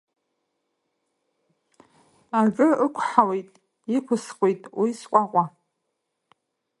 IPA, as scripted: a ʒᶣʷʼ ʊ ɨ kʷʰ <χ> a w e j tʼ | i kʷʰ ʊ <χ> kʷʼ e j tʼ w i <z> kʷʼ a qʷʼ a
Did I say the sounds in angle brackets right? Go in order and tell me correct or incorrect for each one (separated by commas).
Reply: incorrect, incorrect, incorrect